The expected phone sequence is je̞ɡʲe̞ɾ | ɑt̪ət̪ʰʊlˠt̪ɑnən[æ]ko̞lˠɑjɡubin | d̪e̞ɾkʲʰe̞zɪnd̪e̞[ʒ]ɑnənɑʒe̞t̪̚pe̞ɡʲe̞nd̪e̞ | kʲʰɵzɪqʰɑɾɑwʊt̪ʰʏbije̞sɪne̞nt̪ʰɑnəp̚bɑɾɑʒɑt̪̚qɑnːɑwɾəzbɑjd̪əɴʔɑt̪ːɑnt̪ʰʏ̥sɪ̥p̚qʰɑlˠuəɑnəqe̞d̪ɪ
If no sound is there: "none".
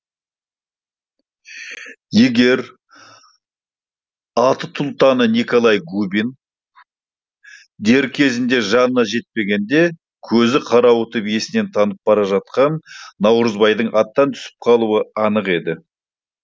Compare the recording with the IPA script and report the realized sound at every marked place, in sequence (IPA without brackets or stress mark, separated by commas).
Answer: i, ʒ